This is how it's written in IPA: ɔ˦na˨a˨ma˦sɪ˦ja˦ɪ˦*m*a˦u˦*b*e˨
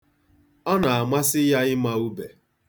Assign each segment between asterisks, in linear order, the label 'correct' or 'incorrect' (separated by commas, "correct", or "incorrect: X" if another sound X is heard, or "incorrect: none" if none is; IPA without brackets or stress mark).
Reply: correct, correct